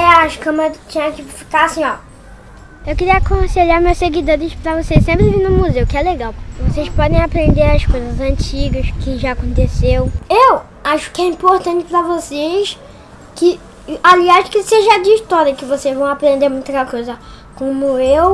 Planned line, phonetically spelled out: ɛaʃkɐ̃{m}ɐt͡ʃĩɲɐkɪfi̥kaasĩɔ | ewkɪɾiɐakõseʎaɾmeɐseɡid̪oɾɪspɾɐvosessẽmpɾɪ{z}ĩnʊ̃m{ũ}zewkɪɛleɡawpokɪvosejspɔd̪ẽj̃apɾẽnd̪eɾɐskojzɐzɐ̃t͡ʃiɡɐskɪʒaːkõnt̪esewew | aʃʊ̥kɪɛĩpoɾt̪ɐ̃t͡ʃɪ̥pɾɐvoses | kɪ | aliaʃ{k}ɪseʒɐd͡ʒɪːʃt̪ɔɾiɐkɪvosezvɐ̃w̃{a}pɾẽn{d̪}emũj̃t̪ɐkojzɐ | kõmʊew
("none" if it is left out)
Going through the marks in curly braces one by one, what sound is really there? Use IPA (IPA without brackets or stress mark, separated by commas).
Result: m, v, u, k, a, d̪